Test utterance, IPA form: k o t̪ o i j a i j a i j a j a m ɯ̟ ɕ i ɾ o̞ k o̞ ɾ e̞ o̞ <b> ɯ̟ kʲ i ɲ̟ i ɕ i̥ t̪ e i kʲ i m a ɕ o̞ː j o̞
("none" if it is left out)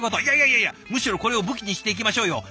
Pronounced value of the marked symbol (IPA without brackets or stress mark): b